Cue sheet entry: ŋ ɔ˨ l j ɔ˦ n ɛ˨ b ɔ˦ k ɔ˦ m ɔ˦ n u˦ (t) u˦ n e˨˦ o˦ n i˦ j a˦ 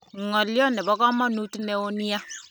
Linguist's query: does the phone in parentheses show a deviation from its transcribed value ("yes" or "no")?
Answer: no